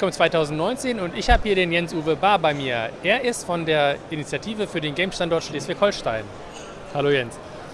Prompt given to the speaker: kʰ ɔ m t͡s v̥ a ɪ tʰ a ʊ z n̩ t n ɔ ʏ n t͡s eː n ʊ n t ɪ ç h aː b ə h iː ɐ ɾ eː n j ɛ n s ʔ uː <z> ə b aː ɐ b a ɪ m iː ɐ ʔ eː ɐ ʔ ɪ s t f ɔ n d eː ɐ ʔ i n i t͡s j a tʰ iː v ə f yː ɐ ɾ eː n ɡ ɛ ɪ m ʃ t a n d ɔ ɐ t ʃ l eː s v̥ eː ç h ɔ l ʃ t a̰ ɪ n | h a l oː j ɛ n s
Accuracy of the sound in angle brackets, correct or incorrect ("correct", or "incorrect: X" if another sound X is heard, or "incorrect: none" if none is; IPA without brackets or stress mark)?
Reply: incorrect: v